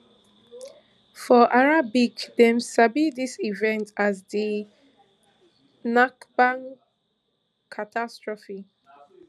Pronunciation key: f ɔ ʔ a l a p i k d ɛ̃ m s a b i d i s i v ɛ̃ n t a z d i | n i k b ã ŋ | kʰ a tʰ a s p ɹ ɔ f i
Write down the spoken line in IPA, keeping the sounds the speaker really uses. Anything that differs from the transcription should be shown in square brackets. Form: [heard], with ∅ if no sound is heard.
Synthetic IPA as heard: f ɔ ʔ a [ɹ] a [b] i k d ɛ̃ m s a b i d i s i v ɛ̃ n t a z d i | n [a] k b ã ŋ | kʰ a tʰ a s [t] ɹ ɔ f i